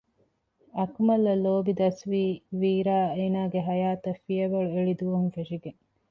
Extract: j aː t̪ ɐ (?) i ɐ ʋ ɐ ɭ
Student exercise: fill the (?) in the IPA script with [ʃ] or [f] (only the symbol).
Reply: f